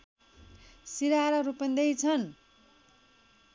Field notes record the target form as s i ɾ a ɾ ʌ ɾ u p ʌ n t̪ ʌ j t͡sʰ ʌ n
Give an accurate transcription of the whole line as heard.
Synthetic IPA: s i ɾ a ɾ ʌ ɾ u p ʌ n d̪ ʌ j t͡sʰ ʌ n